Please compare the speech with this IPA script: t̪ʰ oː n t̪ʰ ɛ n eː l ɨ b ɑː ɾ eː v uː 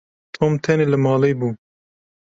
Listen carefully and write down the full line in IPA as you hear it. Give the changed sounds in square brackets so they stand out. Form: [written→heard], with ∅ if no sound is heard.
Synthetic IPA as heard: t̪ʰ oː [n→m] t̪ʰ ɛ n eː l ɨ [b→m] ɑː [ɾ→l] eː [v→b] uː

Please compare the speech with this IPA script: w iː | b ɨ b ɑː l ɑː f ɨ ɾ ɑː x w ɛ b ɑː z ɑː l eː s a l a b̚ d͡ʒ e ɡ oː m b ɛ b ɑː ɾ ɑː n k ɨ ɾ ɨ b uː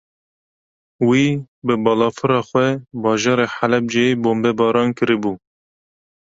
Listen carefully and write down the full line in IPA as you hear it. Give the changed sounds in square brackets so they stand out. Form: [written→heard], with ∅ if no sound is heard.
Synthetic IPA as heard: w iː | b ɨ b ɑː l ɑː f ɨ ɾ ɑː x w ɛ b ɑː [z→ʒ] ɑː [l→ɾ] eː [s→ħ] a l [a→ɛ] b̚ d͡ʒ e [ɡ→b] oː m b ɛ b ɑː ɾ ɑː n k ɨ ɾ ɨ b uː

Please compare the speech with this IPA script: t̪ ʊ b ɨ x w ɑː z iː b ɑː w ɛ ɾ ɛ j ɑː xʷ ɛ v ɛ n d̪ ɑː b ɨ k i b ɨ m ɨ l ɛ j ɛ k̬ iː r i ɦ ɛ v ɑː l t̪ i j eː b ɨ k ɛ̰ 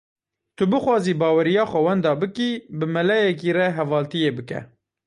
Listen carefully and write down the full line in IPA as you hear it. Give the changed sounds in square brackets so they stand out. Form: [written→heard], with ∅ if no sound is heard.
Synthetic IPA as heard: t̪ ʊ b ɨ x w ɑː z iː b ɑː w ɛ ɾ [ɛ→i] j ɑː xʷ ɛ [v→w] ɛ n d̪ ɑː b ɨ k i b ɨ m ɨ l ɛ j ɛ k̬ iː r [i→ɛ] ɦ ɛ v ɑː l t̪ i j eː b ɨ k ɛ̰

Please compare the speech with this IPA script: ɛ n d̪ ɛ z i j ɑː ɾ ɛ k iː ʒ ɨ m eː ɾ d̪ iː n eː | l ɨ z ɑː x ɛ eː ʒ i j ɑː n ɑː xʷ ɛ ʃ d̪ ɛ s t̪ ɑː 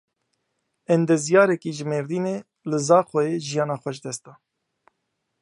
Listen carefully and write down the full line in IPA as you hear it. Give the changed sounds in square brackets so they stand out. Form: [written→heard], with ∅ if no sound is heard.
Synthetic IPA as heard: ɛ n d̪ ɛ z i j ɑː ɾ ɛ k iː ʒ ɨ m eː ɾ d̪ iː n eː | l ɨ z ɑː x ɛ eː ʒ i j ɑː n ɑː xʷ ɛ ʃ d̪ ɛ s t̪ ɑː

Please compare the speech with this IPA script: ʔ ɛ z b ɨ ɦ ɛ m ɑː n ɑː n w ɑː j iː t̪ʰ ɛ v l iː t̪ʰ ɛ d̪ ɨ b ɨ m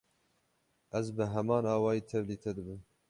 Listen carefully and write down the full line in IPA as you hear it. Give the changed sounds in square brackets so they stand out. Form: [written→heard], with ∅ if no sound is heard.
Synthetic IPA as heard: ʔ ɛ z b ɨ ɦ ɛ m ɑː n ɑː [n→∅] w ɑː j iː t̪ʰ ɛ v l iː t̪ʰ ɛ d̪ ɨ b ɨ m

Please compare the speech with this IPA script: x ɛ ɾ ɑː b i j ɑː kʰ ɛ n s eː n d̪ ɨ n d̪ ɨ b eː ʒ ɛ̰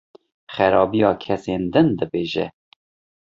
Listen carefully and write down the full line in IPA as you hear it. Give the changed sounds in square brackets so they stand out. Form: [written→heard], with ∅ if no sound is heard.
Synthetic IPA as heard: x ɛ ɾ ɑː b i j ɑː kʰ ɛ [n→∅] s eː n d̪ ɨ n d̪ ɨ b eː ʒ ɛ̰

